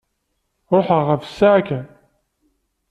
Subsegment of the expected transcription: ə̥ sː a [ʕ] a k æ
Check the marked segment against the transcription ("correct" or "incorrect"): correct